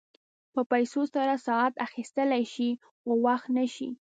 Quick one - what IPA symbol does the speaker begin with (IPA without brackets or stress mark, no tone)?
p